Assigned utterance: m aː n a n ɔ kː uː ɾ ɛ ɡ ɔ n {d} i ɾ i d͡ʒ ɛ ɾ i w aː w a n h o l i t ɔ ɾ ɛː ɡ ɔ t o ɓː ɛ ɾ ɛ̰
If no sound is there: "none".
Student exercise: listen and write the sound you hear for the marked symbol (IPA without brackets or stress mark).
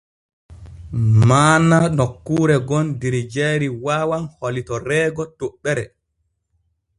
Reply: d